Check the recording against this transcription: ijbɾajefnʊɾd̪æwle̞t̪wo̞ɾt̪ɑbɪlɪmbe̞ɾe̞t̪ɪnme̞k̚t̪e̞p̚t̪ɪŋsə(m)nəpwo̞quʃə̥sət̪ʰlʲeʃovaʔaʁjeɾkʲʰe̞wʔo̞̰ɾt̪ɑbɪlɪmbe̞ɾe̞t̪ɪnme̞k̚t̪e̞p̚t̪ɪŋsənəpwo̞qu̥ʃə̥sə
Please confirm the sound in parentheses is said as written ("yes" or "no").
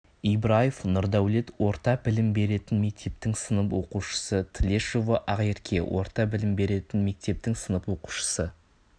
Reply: no